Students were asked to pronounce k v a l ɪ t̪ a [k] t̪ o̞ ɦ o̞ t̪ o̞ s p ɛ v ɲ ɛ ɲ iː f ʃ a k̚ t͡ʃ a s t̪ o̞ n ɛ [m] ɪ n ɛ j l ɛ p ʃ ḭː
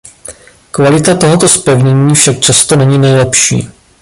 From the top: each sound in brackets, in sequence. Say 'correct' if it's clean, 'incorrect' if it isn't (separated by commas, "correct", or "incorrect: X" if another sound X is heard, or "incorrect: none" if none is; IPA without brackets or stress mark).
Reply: incorrect: none, incorrect: ɲ